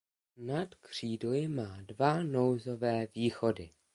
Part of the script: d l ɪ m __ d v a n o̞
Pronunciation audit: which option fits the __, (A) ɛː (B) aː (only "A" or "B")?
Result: B